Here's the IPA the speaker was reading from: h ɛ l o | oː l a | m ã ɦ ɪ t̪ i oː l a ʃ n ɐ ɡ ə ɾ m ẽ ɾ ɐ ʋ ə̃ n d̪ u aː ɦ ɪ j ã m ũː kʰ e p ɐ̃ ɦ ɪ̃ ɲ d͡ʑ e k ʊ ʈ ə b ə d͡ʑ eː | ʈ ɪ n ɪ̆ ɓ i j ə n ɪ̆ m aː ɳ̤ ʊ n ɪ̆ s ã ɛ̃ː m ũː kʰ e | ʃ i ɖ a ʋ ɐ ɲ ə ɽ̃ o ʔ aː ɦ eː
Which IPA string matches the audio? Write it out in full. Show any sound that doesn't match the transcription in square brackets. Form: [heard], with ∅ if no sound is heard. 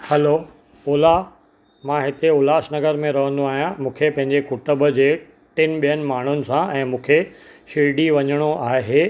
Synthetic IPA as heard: h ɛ l o | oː l a | m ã ɦ ɪ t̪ [e] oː l a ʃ n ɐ ɡ ə ɾ m ẽ ɾ ɐ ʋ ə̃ n d̪ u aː ɦ [i] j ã m ũː kʰ e p ɐ̃ ɦ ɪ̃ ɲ d͡ʑ e k ʊ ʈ ə b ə d͡ʑ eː | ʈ ɪ n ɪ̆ ɓ i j ə n ɪ̆ m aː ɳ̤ ʊ n ɪ̆ s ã ɛ̃ː m ũː kʰ e | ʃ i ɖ [i] ʋ ɐ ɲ ə ɽ̃ o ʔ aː ɦ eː